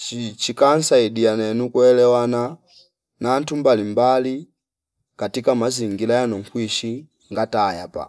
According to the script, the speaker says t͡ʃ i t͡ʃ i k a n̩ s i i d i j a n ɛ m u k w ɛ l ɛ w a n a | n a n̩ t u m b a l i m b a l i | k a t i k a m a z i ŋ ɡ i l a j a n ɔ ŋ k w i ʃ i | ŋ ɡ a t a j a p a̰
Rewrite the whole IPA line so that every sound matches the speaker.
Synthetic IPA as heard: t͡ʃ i t͡ʃ i k a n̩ s a i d i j a n ɛ n u k w ɛ l ɛ w a n a | n a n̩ t u m b a l i m b a l i | k a t i k a m a z i ŋ ɡ i l a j a n ɔ ŋ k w i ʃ i | ŋ ɡ a t a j a p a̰